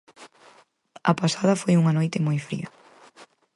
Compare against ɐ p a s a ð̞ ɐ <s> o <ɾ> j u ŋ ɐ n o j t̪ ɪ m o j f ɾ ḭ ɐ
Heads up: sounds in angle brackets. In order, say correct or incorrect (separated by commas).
incorrect, incorrect